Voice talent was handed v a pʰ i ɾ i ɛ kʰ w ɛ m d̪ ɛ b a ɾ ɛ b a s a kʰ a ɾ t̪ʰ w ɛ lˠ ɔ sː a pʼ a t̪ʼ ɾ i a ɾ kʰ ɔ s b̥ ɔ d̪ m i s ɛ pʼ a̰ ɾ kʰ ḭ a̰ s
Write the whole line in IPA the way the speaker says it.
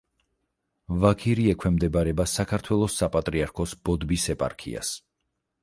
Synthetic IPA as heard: v a kʰ i ɾ i ɛ kʰ w ɛ m d̪ ɛ b a ɾ ɛ b a s a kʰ a ɾ t̪ʰ w ɛ lˠ ɔ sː a pʼ a t̪ʼ ɾ i a ɾ kʰ ɔ s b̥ ɔ d̪ b i s ɛ pʼ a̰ ɾ kʰ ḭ a̰ s